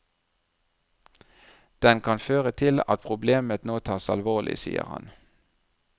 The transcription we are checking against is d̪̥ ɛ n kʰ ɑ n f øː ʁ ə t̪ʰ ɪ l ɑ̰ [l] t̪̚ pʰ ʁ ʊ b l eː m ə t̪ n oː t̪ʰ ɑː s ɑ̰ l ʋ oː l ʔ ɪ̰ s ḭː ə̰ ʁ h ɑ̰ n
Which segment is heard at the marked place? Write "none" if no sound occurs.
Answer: none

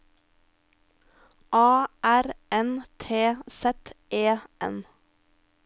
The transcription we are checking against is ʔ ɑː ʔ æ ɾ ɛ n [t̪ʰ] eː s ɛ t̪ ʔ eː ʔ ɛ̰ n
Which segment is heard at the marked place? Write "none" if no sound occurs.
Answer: t̪ʰ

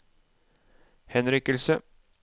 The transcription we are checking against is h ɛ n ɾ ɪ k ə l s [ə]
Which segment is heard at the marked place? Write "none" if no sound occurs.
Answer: ə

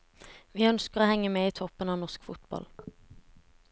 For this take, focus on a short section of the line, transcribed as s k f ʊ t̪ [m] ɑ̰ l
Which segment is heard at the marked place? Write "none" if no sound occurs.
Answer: b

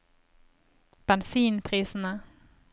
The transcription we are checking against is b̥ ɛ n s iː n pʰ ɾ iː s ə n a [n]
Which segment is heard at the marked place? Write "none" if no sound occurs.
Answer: none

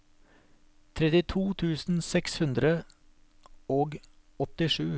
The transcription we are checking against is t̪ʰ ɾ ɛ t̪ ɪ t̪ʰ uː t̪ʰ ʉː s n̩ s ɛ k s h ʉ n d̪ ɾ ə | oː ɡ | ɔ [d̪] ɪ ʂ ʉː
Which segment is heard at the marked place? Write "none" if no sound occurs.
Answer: t̪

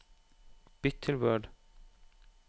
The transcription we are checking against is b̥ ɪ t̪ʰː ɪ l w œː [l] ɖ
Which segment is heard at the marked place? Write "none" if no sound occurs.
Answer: none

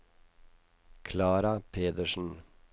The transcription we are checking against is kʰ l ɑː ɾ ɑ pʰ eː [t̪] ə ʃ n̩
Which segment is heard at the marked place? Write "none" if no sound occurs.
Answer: d̪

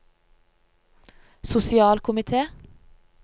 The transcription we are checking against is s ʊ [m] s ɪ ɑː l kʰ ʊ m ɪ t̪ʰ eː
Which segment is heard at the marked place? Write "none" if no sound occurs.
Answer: none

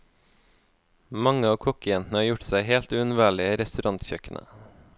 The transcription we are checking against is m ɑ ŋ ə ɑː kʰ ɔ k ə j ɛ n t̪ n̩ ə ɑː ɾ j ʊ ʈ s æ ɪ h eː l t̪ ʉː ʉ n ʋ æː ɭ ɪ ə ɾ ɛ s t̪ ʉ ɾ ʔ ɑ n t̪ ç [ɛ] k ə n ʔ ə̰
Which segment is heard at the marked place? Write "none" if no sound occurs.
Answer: œ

